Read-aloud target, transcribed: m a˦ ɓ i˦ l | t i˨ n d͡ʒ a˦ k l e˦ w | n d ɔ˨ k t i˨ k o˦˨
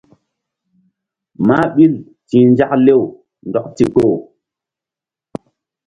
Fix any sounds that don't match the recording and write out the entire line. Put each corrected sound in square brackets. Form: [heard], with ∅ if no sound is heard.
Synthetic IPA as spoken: m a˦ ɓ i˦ l | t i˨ n d͡ʒ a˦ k l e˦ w | n d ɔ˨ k t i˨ k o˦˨